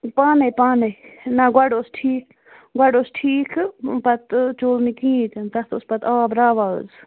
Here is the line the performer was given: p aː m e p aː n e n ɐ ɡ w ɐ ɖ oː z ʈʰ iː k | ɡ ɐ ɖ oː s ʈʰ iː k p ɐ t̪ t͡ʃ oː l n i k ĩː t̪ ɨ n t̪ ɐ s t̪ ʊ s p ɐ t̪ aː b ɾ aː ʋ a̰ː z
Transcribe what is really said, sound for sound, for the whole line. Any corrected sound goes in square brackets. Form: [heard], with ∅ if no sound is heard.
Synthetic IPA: p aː [n] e p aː n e n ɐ ɡ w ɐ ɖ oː [s] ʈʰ iː k | ɡ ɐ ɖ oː s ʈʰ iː k p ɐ t̪ t͡ʃ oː l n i k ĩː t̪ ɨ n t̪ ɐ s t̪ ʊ s p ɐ t̪ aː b ɾ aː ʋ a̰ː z

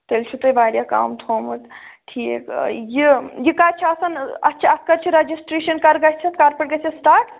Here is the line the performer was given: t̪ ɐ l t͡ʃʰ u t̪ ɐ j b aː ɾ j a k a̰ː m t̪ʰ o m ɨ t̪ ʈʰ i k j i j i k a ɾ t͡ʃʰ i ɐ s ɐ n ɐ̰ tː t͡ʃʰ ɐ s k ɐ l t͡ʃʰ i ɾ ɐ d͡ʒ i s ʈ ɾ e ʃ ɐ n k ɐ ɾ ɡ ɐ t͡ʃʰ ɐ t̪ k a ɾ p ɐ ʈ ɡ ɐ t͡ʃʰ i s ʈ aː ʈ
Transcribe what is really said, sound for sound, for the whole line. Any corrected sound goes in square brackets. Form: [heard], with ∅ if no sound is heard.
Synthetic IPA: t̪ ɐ l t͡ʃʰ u t̪ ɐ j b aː ɾ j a k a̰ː m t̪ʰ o m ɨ t̪ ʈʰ i k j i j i k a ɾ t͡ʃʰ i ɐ s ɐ n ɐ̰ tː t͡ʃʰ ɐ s k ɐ [ɾ] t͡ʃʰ i ɾ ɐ d͡ʒ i s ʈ ɾ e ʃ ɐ n k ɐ ɾ ɡ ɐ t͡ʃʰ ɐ t̪ k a ɾ p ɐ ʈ ɡ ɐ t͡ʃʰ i s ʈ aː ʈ

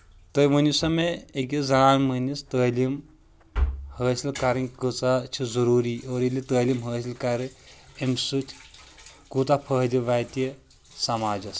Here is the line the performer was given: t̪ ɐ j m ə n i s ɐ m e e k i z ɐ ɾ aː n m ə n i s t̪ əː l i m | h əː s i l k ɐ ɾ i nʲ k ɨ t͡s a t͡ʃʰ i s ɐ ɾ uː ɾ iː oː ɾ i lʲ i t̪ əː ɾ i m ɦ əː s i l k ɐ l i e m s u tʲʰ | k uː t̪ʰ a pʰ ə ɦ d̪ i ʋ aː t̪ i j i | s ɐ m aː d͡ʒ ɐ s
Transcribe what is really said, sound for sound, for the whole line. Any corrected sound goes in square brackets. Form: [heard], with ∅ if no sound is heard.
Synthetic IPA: t̪ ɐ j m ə n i s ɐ m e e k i z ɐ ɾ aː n m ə n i s t̪ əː l i m | h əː s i l k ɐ ɾ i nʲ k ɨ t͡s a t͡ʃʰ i [z] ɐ ɾ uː ɾ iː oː ɾ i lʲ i t̪ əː [l] i m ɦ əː s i l k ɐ [ɾ] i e m s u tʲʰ | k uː [t̪] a pʰ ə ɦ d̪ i ʋ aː t̪ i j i | s ɐ m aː d͡ʒ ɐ s

